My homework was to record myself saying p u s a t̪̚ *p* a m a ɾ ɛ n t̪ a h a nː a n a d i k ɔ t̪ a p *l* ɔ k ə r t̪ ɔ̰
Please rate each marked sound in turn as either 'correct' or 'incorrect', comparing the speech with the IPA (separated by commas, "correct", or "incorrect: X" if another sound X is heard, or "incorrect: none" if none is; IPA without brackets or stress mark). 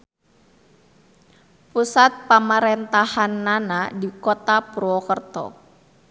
correct, incorrect: ɾ